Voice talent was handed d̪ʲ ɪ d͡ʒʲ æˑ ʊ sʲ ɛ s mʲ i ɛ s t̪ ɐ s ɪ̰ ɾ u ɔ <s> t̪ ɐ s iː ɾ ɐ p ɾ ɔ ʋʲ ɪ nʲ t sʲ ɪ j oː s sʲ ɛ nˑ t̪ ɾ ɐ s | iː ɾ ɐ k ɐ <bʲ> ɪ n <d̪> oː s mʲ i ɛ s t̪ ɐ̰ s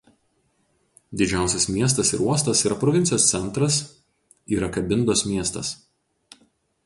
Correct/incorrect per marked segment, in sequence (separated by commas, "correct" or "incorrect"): correct, correct, correct